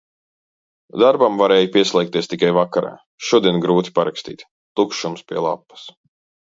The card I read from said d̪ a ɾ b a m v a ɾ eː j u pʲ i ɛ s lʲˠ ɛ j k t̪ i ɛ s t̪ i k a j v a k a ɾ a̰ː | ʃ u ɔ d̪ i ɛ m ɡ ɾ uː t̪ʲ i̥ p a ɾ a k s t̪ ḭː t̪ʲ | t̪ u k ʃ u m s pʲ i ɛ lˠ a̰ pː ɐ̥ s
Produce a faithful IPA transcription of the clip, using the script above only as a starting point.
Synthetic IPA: d̪ a ɾ b a m v a ɾ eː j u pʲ i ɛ s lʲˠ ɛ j k t̪ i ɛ s t̪ i k a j v a k a ɾ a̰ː | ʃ u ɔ d̪ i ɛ n ɡ ɾ uː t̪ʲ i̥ p a ɾ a k s t̪ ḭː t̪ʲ | t̪ u k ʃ u m s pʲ i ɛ lˠ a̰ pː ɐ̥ s